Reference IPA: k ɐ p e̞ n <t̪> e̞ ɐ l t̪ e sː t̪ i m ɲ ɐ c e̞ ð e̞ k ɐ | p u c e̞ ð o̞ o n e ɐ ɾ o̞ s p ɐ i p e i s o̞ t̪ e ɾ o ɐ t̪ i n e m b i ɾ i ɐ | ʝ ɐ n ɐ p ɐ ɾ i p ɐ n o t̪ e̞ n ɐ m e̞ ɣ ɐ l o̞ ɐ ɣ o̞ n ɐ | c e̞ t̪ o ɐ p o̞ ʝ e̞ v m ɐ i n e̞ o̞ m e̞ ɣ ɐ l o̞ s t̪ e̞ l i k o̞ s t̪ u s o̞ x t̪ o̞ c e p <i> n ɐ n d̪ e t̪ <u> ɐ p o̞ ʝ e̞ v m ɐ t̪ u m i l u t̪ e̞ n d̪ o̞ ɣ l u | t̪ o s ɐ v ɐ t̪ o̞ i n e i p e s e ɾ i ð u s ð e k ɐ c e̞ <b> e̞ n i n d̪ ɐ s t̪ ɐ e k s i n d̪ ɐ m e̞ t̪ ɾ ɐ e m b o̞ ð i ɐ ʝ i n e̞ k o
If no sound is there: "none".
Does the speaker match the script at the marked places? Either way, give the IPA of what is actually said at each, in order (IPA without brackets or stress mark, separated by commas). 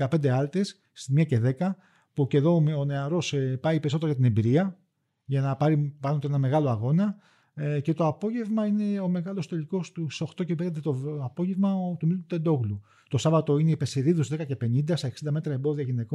d̪, e, o, p